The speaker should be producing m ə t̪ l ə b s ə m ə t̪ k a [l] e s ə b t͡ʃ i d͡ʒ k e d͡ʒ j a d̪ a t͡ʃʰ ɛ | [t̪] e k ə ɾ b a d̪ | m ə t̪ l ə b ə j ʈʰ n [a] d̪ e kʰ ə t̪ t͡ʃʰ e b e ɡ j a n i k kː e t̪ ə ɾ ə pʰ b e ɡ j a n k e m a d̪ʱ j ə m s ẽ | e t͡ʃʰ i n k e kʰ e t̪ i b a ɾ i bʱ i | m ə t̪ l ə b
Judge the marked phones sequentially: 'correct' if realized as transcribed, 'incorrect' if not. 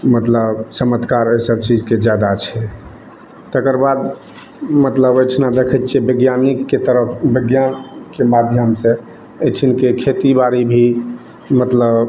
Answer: incorrect: ɾ, correct, correct

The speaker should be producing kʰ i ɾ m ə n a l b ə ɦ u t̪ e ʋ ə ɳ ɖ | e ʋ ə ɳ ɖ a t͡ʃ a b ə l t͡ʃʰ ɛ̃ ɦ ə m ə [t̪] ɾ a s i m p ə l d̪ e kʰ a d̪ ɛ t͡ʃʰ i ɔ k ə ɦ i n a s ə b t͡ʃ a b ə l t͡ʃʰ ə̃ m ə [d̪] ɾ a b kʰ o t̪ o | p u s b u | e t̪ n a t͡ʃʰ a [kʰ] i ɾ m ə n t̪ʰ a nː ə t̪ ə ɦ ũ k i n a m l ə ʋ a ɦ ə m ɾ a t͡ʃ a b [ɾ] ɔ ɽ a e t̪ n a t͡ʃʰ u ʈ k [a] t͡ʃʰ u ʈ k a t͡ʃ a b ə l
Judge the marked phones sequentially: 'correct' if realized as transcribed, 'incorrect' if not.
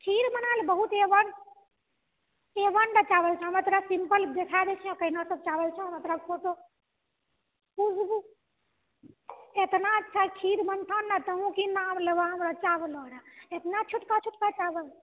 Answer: correct, incorrect: t̪, correct, incorrect: l, correct

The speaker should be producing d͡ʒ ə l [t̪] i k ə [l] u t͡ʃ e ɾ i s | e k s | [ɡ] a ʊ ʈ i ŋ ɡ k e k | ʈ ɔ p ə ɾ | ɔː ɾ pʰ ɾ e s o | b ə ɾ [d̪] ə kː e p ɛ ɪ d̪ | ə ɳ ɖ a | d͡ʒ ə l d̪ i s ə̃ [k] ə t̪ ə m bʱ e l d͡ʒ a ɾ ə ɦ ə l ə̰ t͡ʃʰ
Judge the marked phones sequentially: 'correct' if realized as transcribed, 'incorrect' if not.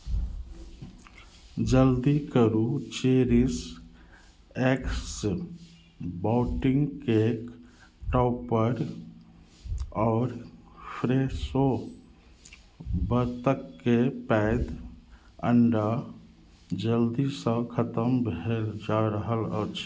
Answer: incorrect: d̪, incorrect: ɾ, incorrect: b, incorrect: t̪, incorrect: kʰ

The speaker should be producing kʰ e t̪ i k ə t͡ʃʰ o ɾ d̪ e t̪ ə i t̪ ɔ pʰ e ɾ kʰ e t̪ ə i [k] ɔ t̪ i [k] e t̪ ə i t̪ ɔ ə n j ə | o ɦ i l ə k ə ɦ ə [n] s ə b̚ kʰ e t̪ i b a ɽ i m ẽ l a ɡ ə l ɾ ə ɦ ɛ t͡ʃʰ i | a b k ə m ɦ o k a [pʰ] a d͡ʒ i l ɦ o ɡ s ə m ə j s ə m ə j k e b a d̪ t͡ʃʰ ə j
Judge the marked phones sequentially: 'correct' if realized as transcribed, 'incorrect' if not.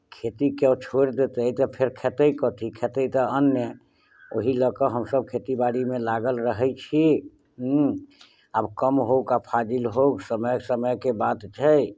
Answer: correct, incorrect: kʰ, incorrect: m, correct

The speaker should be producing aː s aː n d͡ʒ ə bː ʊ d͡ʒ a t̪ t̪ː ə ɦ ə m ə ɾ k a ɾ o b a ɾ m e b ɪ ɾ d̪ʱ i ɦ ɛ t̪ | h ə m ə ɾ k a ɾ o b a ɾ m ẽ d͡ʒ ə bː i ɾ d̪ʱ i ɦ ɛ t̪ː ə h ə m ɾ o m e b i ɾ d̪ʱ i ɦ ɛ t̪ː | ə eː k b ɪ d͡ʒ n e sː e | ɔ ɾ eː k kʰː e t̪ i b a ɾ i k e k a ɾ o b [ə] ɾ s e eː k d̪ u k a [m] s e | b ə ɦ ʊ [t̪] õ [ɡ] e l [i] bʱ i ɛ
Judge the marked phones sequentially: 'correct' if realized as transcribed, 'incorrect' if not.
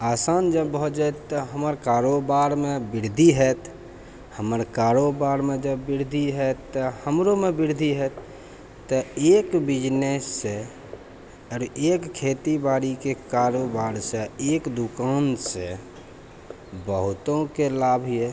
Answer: incorrect: a, incorrect: n, correct, incorrect: k, incorrect: a

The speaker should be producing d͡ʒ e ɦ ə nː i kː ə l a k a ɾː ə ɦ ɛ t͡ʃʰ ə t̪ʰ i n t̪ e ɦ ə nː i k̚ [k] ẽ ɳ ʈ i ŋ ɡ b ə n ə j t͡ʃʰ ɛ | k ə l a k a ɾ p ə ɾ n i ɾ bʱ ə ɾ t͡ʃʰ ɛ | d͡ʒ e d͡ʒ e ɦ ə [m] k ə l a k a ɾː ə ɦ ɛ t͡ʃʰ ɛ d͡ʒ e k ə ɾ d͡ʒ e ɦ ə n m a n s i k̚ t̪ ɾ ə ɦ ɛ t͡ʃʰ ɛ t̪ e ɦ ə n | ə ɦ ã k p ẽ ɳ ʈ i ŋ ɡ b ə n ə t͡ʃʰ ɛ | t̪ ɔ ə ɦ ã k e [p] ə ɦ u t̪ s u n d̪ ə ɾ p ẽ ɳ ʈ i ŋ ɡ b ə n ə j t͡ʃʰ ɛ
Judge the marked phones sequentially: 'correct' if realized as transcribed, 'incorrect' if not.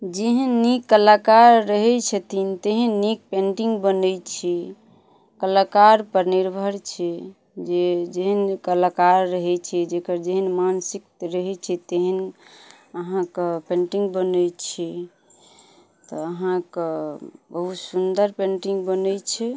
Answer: incorrect: p, incorrect: n, incorrect: b

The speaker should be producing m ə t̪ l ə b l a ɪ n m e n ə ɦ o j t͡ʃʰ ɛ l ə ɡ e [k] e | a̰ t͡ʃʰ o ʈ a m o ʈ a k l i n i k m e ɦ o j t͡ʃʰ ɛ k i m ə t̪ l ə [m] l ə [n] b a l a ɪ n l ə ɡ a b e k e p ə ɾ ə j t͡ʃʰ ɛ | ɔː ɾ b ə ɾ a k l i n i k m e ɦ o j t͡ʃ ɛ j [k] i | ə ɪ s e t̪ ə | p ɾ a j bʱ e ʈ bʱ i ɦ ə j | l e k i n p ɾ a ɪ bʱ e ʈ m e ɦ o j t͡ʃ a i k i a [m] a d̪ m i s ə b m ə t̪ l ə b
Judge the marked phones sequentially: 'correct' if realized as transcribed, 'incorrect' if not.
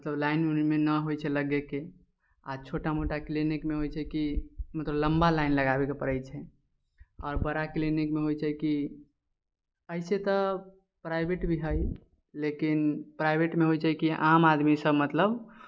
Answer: correct, incorrect: b, incorrect: m, correct, correct

